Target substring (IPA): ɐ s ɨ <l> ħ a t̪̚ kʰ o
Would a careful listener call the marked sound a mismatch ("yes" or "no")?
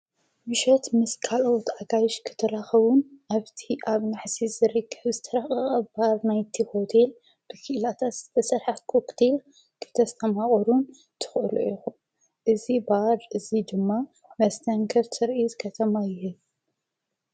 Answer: yes